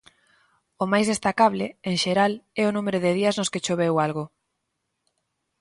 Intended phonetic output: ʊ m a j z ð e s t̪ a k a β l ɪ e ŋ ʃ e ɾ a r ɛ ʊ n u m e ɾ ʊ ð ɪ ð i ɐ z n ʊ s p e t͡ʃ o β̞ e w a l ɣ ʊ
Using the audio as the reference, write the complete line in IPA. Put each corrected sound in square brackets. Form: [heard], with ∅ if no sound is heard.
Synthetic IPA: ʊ m a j z ð e s t̪ a k a β l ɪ e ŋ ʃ e ɾ a [l] ɛ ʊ n u m e ɾ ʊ ð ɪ ð i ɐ z n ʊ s [k] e t͡ʃ o β̞ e w a l ɣ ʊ

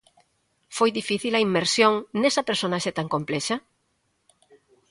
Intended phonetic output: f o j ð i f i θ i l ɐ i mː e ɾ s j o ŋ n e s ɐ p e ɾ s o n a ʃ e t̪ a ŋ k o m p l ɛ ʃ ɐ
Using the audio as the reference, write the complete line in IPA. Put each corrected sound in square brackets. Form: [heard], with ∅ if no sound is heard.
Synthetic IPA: f o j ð i f i θ i l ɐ i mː e ɾ s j o ŋ n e s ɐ p e ɾ s o n a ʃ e t̪ a ŋ k o m p l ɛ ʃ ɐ

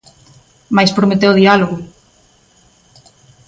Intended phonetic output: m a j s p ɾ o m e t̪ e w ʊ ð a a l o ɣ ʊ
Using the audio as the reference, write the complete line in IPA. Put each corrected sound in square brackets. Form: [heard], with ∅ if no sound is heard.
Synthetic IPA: m a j s p ɾ o m e t̪ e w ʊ ð [i] a l o ɣ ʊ

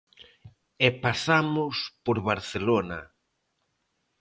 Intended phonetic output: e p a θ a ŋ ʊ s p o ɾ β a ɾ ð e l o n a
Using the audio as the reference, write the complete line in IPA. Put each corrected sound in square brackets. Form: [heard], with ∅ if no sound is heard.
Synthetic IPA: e p a [s] a [m] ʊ s p o ɾ β a ɾ [θ] e l o n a

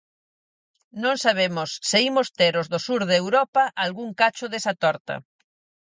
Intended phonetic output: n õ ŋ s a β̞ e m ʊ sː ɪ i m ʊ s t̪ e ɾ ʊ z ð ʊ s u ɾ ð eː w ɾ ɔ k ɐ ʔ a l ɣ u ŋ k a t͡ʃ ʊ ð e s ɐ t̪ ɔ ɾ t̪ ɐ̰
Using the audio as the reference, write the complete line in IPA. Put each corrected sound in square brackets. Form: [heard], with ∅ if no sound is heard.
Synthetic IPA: n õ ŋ s a β̞ e m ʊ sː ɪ i m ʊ s t̪ e ɾ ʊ z ð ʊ s u ɾ ð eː w ɾ ɔ [p] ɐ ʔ a l ɣ u ŋ k a t͡ʃ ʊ ð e s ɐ t̪ ɔ ɾ t̪ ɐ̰

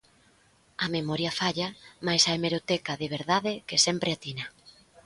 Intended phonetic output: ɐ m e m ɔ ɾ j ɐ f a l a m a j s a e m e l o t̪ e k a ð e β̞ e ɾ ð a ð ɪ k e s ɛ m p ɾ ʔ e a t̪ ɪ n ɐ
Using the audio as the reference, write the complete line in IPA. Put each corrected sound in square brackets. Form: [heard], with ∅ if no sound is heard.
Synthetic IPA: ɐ m e m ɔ ɾ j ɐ f a [ʎ] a m a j s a e m e [ɾ] o t̪ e k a ð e β̞ e ɾ ð a ð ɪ k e s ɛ m p ɾ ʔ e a t̪ [i] n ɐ

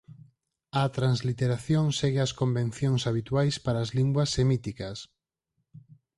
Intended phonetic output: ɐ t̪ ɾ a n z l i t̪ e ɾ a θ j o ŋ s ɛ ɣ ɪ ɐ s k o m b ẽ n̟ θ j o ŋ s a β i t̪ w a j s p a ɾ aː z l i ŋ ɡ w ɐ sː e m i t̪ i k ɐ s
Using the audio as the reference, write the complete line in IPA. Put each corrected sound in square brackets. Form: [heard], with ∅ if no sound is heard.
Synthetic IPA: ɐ t̪ ɾ a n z l i t̪ e ɾ a θ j o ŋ s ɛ ɣ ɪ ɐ s k o m b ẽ n̟ θ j o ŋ s a β i t̪ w a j s p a ɾ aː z l i ŋ ɡ w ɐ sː e m i t̪ i k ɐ s

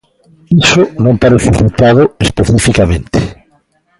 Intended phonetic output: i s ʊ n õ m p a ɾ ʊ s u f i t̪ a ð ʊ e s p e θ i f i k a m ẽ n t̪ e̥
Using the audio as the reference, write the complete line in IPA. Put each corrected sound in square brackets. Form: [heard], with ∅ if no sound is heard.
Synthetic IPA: i s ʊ n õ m p a ɾ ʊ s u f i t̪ a ð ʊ e s p e θ i f i k a m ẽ n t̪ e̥

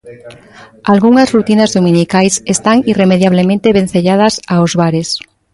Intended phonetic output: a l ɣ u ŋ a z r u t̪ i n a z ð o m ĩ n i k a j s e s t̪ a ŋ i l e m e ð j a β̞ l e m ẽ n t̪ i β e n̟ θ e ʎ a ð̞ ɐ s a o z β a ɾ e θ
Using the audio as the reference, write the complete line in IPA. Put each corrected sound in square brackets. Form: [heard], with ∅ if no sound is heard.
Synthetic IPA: a l ɣ u ŋ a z r u t̪ i n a z ð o m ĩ n i k a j s e s t̪ a ŋ i [r] e m e ð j a β̞ l e m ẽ n t̪ [e] β e n̟ θ e ʎ a ð̞ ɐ s a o z β a ɾ e [s]

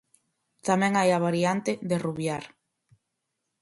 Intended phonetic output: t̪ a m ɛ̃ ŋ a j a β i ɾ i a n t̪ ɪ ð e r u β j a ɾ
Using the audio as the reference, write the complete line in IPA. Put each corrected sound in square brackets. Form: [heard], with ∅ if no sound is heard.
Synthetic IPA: t̪ a m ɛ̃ ŋ a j a β [a] ɾ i a n t̪ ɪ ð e r u β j a ɾ

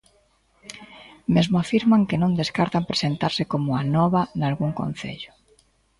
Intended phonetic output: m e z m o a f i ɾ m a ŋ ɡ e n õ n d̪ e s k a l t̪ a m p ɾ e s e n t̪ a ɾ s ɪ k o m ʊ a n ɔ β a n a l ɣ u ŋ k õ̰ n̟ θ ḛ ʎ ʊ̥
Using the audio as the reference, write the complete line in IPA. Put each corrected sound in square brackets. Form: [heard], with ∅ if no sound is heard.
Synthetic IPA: m e z m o a f i ɾ m a ŋ [k] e n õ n d̪ e s k a [ɾ] t̪ a m p ɾ e s e n t̪ a ɾ s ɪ k o m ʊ a n ɔ β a n a l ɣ u ŋ k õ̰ n̟ θ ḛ ʎ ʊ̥

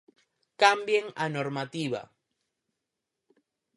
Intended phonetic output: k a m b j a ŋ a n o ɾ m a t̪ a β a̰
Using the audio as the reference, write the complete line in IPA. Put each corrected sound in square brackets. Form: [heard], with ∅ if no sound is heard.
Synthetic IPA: k a m b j [e] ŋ a n o ɾ m a t̪ [i] β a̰

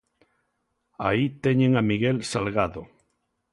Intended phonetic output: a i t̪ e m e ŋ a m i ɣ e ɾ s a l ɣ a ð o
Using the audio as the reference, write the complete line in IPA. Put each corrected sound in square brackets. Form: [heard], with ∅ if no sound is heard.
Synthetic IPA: a i t̪ e [ɲ] e ŋ a m i ɣ e [l] s a l ɣ a ð o

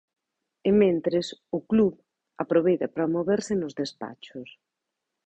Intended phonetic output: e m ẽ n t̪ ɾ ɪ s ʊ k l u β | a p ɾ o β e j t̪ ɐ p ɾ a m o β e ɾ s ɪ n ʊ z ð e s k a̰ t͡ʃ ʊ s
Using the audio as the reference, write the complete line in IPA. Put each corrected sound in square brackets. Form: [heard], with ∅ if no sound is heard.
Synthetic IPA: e m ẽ n t̪ ɾ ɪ s ʊ k l u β | a p ɾ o β e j t̪ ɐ p ɾ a m o β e ɾ s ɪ n ʊ z ð e s [p] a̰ t͡ʃ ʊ s

